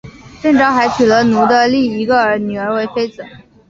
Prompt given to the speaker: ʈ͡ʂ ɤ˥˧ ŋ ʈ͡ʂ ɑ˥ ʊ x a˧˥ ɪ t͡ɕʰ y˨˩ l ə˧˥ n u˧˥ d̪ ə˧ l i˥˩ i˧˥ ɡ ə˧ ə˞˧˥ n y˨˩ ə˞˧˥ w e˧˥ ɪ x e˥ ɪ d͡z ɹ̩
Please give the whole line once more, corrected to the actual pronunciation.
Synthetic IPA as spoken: ʈ͡ʂ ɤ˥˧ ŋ ʈ͡ʂ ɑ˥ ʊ x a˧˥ ɪ t͡ɕʰ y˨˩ l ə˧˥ n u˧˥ d̪ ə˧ l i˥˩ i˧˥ ɡ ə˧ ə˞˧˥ n y˨˩ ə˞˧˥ w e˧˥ ɪ f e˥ ɪ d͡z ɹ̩

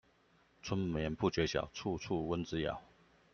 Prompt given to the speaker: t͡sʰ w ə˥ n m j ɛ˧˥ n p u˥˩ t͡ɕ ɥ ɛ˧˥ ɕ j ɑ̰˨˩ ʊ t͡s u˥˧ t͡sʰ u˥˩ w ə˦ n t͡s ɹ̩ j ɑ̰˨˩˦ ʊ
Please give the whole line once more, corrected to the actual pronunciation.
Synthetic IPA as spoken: t͡sʰ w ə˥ n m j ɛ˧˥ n p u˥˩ t͡ɕ ɥ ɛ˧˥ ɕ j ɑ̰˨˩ ʊ t͡sʰ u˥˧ t͡sʰ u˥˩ w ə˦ n t͡s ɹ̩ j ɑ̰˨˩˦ ʊ

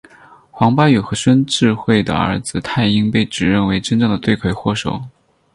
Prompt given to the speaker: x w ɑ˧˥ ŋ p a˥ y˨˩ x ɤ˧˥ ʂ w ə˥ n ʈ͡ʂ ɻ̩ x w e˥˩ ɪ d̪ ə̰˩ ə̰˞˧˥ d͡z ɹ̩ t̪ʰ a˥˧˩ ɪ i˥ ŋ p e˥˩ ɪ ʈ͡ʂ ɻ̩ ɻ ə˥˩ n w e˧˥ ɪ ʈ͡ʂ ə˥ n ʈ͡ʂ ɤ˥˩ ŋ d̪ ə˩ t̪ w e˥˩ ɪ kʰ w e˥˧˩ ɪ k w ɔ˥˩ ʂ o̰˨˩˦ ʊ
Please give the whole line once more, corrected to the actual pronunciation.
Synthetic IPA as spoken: x w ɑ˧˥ ŋ p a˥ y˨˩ x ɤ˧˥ ʂ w ə˥ n ʈ͡ʂ ɻ̩ x w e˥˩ ɪ d̪ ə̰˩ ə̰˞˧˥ d͡z ɹ̩ t̪ʰ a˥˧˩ ɪ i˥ ŋ p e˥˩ ɪ ʈ͡ʂ ɻ̩ ɻ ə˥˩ n w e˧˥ ɪ ʈ͡ʂ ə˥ n ʈ͡ʂ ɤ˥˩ ŋ d̪ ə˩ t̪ w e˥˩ ɪ kʰ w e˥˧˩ ɪ x w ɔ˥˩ ʂ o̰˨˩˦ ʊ

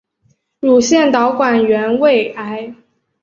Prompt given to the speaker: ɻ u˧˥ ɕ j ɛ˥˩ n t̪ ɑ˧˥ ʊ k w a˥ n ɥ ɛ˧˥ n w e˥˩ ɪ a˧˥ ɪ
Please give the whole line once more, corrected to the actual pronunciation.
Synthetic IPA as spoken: ɻ u˨˩ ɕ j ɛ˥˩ n t̪ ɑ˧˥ ʊ k w a˨˩ n ɥ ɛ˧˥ n w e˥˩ ɪ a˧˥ ɪ

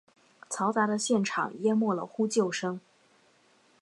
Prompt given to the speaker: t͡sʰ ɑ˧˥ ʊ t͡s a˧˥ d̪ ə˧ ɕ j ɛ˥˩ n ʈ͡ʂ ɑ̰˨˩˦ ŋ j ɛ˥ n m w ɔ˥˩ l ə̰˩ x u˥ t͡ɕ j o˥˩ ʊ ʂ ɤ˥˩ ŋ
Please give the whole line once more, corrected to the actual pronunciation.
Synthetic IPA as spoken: t͡sʰ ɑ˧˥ ʊ t͡s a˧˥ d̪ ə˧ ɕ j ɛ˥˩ n ʈ͡ʂʰ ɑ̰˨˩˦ ŋ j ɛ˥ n m w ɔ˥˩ l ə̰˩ x u˥ t͡ɕ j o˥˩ ʊ ʂ ɤ˥ ŋ

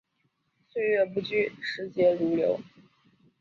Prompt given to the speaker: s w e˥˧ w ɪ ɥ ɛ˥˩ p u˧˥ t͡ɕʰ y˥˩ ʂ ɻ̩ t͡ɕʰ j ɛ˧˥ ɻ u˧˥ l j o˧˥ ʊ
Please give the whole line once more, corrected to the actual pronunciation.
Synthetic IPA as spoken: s w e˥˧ ɪ ɥ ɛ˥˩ p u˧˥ t͡ɕ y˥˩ ʂ ɻ̩ t͡ɕ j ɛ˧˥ ɻ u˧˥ l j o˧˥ ʊ

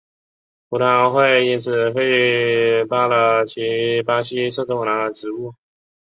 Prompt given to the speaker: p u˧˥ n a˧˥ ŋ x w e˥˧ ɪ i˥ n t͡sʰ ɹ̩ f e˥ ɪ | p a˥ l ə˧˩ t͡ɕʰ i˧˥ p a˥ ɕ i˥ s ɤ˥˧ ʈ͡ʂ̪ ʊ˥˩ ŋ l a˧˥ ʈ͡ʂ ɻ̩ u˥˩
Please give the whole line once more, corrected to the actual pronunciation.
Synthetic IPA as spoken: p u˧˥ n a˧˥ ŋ x w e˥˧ ɪ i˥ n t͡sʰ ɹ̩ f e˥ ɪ | p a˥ l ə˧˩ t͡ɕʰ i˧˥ p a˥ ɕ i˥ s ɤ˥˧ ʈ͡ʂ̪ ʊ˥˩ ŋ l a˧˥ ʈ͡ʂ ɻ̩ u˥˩

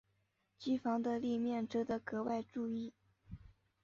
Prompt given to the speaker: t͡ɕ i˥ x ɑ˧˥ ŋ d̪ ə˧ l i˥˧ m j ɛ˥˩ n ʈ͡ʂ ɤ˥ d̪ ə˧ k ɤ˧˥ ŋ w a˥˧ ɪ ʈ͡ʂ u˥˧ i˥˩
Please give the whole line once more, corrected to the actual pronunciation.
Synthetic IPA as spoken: t͡ɕ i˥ f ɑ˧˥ ŋ d̪ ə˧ l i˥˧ m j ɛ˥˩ n ʈ͡ʂ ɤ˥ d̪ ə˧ k ɤ˧˥ w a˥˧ ɪ ʈ͡ʂ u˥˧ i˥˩

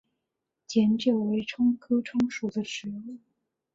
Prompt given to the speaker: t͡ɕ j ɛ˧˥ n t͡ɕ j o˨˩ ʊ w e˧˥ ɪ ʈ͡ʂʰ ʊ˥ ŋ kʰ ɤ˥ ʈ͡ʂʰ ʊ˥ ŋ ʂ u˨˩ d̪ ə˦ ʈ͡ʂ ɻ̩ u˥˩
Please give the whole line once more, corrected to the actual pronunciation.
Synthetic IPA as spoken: t͡ɕ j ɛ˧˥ n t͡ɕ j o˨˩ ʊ w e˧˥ ɪ ʈ͡ʂʰ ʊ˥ ŋ kʰ ɤ˥ ʈ͡ʂʰ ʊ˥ ŋ ʂ u˨˩ d̪ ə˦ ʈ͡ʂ ɻ̩ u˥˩

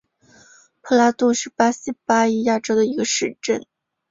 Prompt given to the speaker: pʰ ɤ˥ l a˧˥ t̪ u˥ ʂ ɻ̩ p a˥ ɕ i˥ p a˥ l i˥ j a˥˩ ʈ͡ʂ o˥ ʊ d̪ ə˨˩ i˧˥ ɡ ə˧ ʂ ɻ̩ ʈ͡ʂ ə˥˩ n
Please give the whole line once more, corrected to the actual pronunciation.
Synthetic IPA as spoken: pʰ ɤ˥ l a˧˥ t̪ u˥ ʂ ɻ̩ p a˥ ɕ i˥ p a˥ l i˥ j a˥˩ ʈ͡ʂ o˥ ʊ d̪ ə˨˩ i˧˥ ɡ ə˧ ʂ ɻ̩ ʈ͡ʂ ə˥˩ n

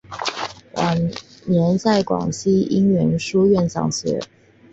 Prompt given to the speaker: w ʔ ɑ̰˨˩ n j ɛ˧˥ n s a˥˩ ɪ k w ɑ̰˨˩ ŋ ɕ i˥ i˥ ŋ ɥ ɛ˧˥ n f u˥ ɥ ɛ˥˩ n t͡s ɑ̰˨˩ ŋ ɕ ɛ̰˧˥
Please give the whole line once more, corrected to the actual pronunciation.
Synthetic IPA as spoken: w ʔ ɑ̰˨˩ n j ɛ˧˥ n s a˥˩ ɪ k w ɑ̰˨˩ ŋ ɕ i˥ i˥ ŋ ɥ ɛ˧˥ n ʂ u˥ ɥ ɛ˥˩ n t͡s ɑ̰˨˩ ŋ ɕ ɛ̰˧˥

